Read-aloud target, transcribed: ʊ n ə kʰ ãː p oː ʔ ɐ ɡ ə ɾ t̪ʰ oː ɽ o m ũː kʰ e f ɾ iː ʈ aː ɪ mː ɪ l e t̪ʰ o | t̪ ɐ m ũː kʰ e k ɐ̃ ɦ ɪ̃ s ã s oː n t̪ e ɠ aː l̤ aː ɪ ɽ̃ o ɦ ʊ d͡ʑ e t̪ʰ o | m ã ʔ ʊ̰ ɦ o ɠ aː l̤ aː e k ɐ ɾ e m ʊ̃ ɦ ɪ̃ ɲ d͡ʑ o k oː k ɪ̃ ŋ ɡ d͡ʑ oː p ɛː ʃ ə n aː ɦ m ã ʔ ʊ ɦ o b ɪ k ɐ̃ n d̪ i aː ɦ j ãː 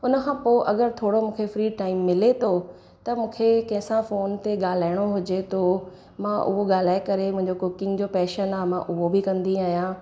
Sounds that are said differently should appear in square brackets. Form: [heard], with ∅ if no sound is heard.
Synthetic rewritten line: ʊ n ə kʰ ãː p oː ʔ ɐ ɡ ə ɾ t̪ʰ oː ɽ o m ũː kʰ e f ɾ iː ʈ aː ɪ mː ɪ l e t̪ʰ o | t̪ ɐ m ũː kʰ e k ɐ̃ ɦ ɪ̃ s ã [f] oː n t̪ e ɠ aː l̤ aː ɪ ɽ̃ o ɦ ʊ d͡ʑ e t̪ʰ o | m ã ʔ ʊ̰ ɦ o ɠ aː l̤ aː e k ɐ ɾ e m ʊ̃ ɦ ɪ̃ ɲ d͡ʑ o k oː k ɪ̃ ŋ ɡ d͡ʑ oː p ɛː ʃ ə n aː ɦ m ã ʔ ʊ ɦ o b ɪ k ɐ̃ n d̪ i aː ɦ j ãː

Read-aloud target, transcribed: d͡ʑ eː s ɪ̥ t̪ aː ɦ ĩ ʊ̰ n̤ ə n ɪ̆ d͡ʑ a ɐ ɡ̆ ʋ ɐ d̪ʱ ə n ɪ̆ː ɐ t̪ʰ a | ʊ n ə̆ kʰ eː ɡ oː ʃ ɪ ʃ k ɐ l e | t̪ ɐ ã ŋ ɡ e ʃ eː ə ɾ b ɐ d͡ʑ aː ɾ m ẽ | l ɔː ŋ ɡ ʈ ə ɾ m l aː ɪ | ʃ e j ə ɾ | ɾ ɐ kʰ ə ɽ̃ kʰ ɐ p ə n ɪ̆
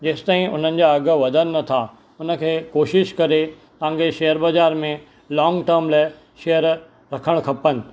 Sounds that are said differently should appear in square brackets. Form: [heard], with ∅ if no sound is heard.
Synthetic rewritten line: d͡ʑ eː s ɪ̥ t̪ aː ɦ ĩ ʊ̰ n̤ ə n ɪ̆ d͡ʑ a ɐ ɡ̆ ʋ ɐ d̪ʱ ə n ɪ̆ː ɐ t̪ʰ a | ʊ n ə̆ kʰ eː [k] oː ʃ ɪ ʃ k ɐ [ɾ] e | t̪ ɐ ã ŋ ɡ e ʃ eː ə ɾ b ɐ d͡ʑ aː ɾ m ẽ | l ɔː ŋ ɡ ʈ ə ɾ m l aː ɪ | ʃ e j ə ɾ | ɾ ɐ kʰ ə ɽ̃ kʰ ɐ p ə n ɪ̆

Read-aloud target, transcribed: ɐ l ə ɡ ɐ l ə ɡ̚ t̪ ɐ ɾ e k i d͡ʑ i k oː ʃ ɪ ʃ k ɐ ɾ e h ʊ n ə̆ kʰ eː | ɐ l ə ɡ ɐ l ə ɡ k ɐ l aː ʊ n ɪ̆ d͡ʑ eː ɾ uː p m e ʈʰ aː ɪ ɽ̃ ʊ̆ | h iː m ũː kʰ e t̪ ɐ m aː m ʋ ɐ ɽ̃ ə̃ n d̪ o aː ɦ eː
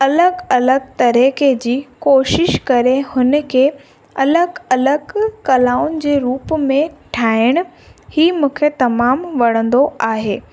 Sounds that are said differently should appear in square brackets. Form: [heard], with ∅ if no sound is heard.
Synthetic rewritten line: ɐ l ə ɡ ɐ l ə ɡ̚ t̪ ɐ ɾ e k [e] d͡ʑ [iː] k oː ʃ ɪ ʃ k ɐ ɾ e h ʊ n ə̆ kʰ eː | ɐ l ə ɡ ɐ l ə ɡ k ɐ l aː ʊ n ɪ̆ d͡ʑ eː ɾ uː p m [ẽ] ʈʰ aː ɪ ɽ̃ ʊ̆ | h iː m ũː kʰ e t̪ ɐ m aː m ʋ ɐ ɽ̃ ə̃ n d̪ o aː ɦ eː

